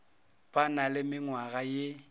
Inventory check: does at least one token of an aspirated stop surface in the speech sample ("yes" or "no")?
no